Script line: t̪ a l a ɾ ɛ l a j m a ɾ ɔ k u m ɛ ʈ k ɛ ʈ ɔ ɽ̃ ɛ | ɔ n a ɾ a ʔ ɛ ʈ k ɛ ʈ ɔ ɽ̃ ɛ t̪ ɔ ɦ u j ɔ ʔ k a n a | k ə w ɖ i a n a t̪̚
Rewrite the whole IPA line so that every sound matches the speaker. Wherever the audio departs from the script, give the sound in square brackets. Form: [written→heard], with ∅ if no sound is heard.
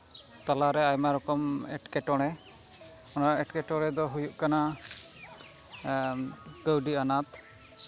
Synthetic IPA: t̪ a l a ɾ ɛ [l→∅] a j m a ɾ ɔ k [u→ɔ] m ɛ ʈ k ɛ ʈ ɔ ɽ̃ ɛ | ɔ n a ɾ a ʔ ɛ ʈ k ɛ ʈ ɔ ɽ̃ ɛ [t̪→d̪] ɔ ɦ u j [ɔ→u] ʔ k a n a | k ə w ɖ i a n a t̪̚